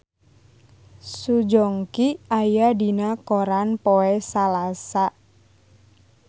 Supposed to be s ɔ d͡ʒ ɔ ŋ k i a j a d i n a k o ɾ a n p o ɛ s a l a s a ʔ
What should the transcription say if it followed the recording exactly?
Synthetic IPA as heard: s u d͡ʒ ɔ ŋ k i a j a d i n a k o ɾ a n p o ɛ s a l a s a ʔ